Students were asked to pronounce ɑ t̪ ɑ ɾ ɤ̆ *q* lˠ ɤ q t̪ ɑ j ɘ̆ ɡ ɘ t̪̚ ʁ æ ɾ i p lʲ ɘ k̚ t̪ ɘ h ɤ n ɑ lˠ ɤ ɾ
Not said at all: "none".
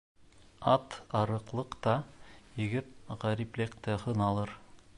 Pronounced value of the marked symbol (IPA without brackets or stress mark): q